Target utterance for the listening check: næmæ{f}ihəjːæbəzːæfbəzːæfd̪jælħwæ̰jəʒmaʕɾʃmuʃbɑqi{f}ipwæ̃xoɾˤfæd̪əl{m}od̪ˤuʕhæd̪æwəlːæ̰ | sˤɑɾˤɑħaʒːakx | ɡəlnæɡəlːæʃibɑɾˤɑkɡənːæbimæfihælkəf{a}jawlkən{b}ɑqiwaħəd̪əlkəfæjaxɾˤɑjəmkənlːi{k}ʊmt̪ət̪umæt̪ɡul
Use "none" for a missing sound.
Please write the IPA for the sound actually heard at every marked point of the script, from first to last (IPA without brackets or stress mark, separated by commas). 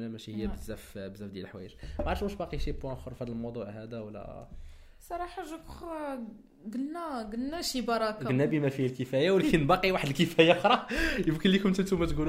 ʃ, ʃ, m, æ, b, k